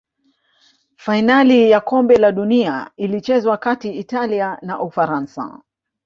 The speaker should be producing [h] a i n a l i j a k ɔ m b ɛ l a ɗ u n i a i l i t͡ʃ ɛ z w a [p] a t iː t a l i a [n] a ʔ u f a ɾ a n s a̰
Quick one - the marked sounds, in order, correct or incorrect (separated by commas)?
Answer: incorrect, incorrect, correct